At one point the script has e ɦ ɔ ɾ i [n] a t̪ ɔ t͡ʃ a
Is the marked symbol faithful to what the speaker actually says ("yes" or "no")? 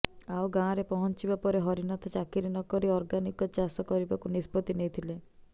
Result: yes